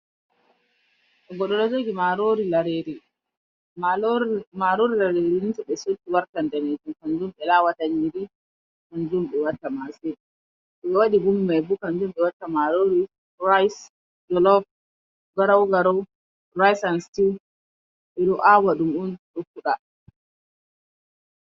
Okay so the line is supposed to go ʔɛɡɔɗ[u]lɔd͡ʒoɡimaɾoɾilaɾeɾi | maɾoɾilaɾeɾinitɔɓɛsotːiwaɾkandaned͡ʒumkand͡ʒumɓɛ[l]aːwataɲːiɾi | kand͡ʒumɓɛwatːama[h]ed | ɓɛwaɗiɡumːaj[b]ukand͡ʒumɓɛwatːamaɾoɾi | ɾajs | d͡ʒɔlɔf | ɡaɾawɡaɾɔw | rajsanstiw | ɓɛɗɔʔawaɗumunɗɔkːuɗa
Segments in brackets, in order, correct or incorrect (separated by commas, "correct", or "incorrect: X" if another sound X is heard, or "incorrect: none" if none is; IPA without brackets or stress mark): incorrect: ɔ, correct, incorrect: s, correct